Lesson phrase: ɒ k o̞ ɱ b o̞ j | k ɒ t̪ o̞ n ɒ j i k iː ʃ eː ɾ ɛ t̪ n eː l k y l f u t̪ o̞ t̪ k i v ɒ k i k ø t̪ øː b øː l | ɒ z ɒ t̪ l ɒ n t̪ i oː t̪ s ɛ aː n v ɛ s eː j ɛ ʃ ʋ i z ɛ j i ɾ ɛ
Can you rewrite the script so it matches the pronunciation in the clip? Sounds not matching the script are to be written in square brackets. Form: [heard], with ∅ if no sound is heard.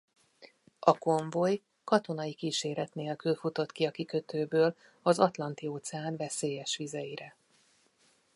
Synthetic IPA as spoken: ɒ k o̞ ɱ [v] o̞ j | k ɒ t̪ o̞ n ɒ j i k iː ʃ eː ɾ ɛ t̪ n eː l k y l f u t̪ o̞ t̪ k i [∅] ɒ k i k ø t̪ øː b øː l | ɒ z ɒ t̪ l ɒ n t̪ i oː t̪ s ɛ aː n v ɛ s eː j ɛ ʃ ʋ i z ɛ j i ɾ ɛ